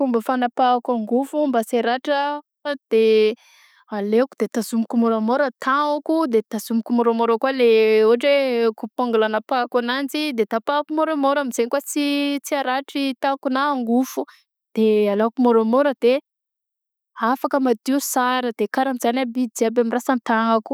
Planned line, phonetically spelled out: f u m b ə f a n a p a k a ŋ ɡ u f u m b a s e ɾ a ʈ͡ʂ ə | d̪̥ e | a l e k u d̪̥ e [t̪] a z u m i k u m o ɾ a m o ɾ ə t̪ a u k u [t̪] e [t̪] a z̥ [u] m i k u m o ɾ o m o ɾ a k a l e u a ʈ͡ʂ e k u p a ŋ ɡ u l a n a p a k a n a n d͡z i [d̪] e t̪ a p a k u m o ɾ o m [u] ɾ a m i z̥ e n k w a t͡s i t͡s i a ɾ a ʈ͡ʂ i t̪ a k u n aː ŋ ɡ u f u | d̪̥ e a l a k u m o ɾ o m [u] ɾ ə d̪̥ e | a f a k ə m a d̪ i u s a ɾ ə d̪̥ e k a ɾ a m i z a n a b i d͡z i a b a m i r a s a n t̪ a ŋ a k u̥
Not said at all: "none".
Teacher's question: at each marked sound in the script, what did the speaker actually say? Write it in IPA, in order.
t̪, d̪, t̪, u, d̪, o, o

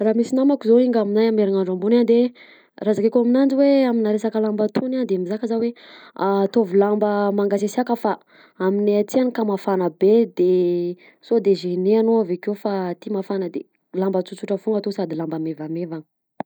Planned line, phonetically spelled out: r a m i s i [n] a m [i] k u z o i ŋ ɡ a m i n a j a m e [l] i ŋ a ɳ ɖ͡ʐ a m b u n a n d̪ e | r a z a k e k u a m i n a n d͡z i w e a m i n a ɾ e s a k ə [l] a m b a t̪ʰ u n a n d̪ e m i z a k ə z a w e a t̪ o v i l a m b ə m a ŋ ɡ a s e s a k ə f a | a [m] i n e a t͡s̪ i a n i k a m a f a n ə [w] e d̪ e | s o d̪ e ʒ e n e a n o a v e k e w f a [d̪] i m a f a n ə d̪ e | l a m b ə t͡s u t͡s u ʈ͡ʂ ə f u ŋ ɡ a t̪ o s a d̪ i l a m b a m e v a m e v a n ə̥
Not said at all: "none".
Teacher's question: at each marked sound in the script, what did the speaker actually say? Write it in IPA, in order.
n, a, ɾ, l, m, b, t̪

